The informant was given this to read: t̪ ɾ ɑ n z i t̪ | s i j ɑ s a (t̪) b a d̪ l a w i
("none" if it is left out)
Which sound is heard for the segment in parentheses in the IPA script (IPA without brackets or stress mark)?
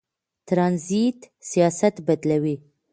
t̪